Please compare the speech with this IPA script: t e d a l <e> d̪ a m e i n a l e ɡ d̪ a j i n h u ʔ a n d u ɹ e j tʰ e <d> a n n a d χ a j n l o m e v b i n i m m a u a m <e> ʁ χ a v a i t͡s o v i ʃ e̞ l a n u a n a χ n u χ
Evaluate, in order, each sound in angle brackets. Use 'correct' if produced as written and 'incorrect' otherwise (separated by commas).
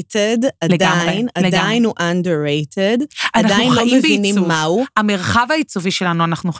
correct, correct, correct